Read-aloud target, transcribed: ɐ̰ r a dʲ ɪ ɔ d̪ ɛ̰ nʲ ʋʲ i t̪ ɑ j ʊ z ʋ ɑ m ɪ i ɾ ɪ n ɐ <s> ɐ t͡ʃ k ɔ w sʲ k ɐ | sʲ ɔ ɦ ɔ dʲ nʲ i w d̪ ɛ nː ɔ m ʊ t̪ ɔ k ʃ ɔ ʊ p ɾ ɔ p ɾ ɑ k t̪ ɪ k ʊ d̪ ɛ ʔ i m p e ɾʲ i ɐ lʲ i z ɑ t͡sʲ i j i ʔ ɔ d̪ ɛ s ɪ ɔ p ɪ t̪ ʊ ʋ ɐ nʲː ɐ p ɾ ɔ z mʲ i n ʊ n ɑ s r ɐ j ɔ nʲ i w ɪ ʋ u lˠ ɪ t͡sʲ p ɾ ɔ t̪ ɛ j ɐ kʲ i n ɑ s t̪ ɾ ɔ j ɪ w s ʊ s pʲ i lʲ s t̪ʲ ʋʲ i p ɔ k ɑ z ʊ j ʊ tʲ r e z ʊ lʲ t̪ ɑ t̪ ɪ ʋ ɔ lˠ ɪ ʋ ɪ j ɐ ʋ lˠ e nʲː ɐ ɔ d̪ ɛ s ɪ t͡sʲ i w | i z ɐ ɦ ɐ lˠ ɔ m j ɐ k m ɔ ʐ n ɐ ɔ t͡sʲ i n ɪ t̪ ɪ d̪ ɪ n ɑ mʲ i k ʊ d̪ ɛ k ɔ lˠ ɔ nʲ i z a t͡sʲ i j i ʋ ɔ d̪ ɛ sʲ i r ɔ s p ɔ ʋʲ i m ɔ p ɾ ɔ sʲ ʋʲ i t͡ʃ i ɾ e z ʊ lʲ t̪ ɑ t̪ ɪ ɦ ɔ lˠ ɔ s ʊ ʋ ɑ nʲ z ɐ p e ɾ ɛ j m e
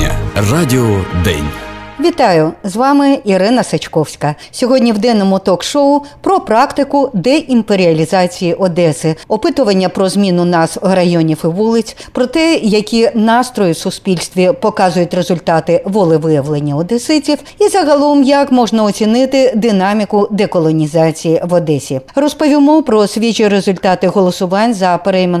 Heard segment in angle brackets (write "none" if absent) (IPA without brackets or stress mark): s